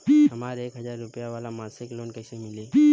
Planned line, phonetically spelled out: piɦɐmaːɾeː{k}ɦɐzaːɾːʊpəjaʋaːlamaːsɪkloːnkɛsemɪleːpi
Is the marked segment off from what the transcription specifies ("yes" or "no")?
no